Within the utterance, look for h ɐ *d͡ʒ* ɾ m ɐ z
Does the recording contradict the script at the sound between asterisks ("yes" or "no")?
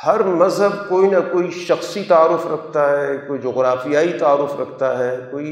yes